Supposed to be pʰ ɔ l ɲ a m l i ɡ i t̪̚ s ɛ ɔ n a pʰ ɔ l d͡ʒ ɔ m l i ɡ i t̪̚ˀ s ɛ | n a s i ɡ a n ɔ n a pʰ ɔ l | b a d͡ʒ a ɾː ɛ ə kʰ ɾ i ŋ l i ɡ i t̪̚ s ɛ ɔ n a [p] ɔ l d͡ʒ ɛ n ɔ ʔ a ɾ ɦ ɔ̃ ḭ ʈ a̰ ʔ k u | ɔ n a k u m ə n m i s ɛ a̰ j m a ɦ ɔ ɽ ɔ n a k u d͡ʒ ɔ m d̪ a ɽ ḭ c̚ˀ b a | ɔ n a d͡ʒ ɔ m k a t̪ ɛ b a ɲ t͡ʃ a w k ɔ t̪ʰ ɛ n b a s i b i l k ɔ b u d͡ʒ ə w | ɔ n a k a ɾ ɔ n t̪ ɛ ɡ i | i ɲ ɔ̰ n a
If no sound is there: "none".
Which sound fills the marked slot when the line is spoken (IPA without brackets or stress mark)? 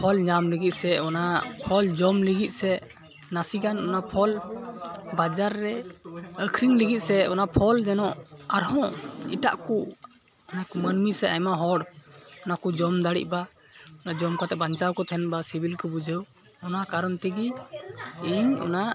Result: pʰ